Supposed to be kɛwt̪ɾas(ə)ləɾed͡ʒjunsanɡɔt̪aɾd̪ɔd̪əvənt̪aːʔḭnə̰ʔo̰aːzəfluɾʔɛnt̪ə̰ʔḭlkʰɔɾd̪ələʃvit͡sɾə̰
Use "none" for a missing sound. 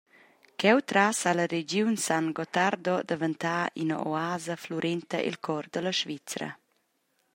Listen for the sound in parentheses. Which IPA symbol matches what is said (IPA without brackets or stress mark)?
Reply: a